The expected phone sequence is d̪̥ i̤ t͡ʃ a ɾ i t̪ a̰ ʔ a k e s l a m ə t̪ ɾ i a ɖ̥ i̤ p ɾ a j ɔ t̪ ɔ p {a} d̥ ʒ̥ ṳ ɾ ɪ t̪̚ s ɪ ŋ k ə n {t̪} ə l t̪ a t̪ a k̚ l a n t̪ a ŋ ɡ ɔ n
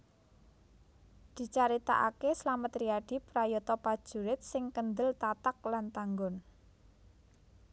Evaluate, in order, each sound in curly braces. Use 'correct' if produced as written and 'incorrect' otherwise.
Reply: correct, incorrect: d̪

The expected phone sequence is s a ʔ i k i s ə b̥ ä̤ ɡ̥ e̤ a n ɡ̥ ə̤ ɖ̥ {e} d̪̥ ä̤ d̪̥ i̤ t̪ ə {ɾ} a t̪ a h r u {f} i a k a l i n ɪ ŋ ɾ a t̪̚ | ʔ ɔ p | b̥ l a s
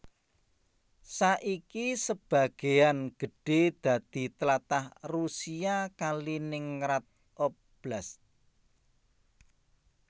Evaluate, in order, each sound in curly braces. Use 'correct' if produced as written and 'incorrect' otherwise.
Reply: correct, incorrect: l, incorrect: s

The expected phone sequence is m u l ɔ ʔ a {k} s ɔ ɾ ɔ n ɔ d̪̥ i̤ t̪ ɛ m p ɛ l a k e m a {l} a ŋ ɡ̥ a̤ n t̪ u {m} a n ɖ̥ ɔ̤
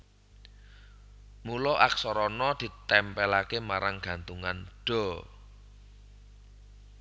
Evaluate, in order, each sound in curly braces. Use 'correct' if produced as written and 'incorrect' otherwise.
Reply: correct, incorrect: ɾ, incorrect: ŋ

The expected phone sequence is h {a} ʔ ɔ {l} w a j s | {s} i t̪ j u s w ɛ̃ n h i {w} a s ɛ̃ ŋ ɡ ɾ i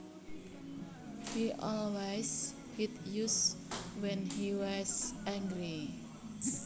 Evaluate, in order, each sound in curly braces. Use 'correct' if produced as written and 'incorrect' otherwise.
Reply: incorrect: i, correct, incorrect: h, correct

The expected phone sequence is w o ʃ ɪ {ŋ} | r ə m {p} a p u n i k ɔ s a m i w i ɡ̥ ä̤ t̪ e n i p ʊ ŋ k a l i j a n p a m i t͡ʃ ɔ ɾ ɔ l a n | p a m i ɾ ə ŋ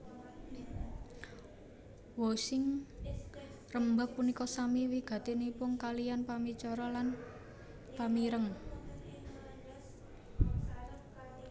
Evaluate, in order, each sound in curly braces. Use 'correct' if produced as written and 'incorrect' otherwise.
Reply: correct, incorrect: b

